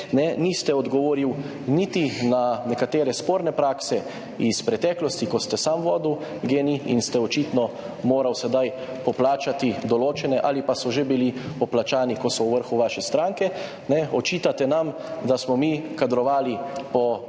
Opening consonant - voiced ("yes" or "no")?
yes